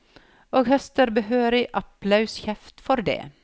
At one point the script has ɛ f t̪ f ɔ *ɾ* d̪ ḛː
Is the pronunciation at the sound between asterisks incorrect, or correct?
correct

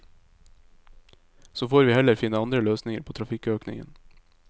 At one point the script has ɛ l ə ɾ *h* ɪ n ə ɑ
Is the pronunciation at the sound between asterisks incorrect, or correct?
incorrect: f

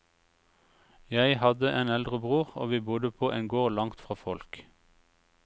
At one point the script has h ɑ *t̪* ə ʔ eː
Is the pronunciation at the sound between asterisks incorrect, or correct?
incorrect: d̪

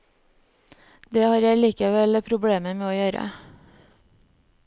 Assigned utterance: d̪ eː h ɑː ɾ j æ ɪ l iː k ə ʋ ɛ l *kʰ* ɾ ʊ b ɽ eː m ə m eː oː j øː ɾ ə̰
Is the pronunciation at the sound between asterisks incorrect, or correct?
incorrect: pʰ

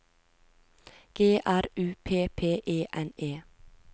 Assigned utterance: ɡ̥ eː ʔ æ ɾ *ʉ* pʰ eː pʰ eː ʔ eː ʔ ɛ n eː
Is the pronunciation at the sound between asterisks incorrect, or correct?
incorrect: ʉː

